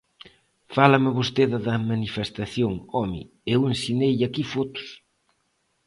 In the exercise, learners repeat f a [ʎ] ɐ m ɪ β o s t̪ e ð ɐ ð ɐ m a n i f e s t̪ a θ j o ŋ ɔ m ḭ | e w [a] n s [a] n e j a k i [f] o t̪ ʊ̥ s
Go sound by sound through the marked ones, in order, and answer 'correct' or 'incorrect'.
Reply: incorrect: l, incorrect: e, incorrect: i, correct

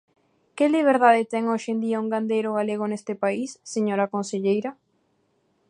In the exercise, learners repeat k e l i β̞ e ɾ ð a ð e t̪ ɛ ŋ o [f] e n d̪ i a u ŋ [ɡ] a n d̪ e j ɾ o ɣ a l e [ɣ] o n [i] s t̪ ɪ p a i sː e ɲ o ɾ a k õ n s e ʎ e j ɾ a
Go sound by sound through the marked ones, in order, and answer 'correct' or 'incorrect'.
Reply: incorrect: ʃ, correct, correct, incorrect: e

